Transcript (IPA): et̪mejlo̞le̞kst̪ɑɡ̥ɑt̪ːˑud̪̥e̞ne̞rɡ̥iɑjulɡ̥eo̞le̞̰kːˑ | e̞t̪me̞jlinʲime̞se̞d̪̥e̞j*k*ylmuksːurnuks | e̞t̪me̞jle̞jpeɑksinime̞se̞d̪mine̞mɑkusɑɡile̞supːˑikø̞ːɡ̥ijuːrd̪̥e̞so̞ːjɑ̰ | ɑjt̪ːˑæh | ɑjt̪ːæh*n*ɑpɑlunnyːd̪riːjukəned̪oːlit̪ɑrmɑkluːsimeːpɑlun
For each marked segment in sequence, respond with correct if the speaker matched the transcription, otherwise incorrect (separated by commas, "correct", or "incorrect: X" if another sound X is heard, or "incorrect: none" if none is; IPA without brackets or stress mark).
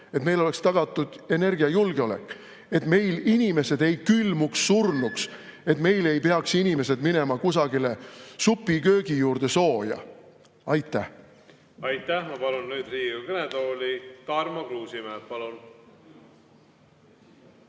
correct, incorrect: m